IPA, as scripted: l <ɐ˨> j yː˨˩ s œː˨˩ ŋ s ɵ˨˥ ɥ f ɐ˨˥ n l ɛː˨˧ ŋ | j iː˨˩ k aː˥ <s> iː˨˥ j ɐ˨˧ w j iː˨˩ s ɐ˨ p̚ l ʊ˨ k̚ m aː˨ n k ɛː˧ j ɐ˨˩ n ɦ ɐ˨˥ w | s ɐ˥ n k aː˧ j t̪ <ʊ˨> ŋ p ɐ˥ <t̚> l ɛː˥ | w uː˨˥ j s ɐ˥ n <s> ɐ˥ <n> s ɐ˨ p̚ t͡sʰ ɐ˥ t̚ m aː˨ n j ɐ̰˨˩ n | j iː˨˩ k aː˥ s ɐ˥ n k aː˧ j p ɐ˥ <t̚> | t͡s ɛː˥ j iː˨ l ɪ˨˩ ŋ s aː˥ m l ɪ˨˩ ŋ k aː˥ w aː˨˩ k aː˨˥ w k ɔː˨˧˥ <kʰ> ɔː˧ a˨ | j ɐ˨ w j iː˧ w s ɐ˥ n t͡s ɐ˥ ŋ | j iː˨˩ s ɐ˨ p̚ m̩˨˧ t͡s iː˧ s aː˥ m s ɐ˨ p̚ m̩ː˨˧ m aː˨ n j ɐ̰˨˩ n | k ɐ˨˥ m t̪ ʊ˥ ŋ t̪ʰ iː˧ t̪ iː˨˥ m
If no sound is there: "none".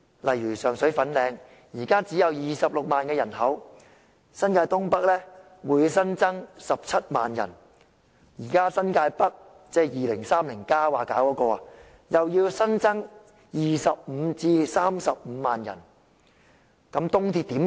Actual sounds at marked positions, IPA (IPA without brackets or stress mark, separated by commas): ɐ˨, t͡s, ʊ˥, k̚, t͡s, ŋ, k̚, k